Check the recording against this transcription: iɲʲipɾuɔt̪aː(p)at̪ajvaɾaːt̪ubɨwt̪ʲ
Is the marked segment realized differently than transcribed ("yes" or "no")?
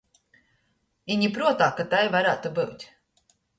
yes